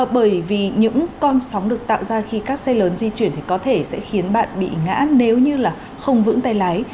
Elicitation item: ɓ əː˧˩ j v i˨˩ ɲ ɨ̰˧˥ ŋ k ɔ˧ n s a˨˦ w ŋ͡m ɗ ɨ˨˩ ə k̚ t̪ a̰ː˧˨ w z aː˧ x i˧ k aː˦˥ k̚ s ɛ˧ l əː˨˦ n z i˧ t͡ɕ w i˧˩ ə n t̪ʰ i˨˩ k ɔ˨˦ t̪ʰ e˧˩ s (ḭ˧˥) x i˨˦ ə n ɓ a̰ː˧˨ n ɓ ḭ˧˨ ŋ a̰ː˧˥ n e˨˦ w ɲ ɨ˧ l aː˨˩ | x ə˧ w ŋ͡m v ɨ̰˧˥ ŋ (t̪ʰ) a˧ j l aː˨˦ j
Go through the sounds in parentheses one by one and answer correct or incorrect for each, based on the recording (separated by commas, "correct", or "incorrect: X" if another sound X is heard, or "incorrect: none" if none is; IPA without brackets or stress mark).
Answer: incorrect: ɛ̰˧˥, incorrect: t̪